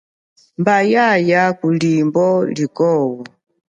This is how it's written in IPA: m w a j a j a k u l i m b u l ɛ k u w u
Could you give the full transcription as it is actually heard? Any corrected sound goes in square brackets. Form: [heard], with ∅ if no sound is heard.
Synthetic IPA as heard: m [b] a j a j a k u l i m b [ɔ] l [i] k [ɔ] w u